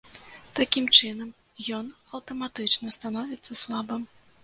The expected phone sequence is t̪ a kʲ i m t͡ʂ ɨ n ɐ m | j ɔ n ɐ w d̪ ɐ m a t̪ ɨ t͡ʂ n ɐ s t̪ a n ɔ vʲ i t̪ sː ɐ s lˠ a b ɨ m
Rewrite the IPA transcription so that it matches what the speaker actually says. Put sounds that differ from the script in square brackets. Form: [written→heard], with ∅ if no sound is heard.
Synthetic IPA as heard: t̪ a kʲ i m t͡ʂ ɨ n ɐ m | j ɔ n ɐ w [d̪→t̪] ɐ m a t̪ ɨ t͡ʂ n ɐ s t̪ a n ɔ vʲ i t̪ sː ɐ s lˠ a b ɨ m